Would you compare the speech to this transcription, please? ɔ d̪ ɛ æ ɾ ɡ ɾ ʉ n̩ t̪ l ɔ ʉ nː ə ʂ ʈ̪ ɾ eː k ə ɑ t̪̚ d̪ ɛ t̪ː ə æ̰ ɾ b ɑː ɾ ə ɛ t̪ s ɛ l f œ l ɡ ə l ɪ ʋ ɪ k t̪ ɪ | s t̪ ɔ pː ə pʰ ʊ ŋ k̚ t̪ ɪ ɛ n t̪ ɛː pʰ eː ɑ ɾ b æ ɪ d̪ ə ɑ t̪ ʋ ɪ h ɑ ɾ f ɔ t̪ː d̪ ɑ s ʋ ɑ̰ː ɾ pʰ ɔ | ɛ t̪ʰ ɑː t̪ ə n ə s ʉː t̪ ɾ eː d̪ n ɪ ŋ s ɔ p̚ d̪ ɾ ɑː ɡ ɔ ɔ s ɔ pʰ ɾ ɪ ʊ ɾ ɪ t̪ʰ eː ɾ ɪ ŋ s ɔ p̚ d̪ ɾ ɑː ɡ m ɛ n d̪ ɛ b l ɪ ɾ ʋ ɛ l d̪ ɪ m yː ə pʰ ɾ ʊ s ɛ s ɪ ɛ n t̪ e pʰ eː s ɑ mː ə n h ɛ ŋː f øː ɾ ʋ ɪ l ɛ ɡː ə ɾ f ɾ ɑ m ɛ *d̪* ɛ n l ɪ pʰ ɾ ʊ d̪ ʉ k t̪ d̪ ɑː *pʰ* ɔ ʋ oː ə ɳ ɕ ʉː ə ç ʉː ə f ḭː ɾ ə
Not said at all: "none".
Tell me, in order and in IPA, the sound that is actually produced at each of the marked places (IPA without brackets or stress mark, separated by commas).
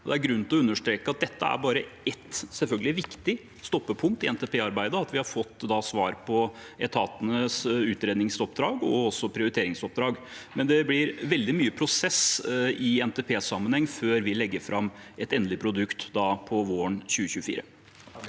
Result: t̪, pʰ